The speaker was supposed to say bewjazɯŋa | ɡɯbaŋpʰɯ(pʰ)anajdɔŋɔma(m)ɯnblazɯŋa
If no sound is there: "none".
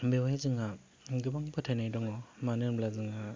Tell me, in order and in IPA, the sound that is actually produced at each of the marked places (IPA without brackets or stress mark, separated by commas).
tʰ, n